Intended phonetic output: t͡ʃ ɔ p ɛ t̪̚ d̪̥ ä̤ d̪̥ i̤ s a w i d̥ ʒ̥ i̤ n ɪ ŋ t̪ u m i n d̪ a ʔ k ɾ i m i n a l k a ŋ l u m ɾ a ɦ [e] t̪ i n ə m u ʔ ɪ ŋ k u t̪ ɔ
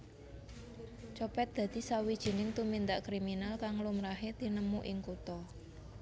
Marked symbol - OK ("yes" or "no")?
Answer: yes